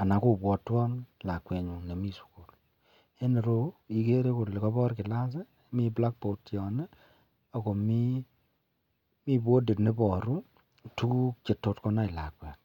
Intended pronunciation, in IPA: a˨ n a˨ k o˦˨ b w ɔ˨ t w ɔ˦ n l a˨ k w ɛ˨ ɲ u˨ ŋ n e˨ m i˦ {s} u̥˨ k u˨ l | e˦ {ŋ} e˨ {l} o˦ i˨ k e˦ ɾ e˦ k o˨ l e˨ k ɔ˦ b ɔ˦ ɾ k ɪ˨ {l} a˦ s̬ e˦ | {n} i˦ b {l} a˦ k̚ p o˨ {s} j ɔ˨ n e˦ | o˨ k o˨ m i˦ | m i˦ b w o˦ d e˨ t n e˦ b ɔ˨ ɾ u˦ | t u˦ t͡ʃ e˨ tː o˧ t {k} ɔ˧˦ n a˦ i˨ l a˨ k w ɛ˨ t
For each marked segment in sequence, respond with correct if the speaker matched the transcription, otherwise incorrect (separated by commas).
correct, incorrect, incorrect, correct, incorrect, correct, incorrect, correct